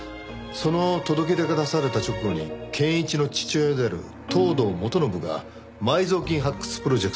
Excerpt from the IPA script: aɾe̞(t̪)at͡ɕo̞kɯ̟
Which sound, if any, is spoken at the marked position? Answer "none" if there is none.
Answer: t̪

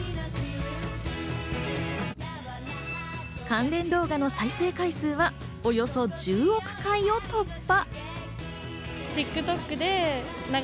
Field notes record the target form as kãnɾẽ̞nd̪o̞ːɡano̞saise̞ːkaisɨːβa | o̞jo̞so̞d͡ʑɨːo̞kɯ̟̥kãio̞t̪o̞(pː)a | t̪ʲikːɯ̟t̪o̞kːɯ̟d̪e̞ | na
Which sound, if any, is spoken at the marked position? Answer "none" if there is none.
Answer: pː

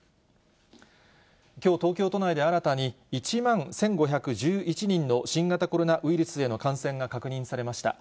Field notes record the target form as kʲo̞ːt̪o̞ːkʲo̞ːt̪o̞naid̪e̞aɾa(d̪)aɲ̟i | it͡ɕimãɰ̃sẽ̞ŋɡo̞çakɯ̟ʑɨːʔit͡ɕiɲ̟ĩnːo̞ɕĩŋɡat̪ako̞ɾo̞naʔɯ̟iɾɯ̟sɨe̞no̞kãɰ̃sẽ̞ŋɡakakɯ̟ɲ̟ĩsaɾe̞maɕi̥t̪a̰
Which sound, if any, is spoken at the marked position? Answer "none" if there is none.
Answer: t̪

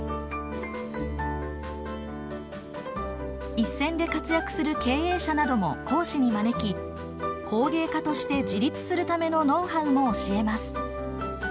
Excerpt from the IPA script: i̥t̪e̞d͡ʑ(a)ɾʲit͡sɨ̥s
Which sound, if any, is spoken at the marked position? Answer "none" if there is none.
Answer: i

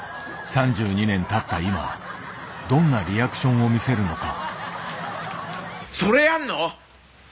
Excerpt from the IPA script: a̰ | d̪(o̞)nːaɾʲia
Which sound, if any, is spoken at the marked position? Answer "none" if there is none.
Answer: õ̞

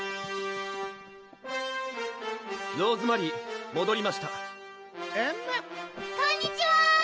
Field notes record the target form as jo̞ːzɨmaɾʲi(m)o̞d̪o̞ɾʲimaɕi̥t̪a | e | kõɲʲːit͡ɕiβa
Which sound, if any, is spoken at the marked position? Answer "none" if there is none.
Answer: m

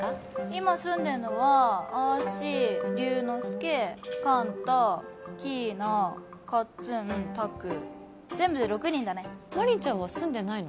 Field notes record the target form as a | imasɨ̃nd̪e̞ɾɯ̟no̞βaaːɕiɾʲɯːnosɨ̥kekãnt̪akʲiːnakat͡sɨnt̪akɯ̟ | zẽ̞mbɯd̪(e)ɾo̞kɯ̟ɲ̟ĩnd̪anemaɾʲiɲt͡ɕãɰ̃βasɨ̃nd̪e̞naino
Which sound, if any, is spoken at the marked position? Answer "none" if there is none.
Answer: e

